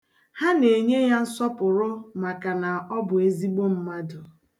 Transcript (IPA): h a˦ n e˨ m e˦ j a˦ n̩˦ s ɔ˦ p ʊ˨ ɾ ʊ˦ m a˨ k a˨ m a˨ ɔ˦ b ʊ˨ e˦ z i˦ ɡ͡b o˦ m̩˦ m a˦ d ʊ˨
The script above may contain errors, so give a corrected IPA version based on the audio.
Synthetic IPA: h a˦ n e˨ ɲ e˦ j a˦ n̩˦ s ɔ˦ p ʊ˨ ɾ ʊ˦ m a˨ k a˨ n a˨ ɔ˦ b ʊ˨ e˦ z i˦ ɡ͡b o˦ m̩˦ m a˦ d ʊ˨